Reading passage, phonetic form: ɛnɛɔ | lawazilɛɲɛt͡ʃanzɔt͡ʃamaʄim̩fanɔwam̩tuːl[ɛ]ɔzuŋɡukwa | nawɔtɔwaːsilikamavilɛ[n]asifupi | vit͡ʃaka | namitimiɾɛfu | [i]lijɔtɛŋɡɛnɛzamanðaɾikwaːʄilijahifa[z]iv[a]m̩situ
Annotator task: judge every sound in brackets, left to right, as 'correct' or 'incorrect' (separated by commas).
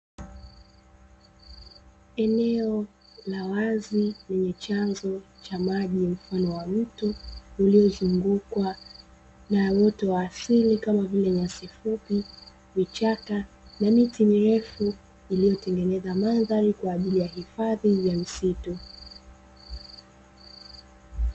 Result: incorrect, incorrect, correct, incorrect, correct